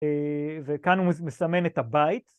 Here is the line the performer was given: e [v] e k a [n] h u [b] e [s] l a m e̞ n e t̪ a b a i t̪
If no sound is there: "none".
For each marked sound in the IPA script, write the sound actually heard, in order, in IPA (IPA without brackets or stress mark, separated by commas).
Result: v, n, m, s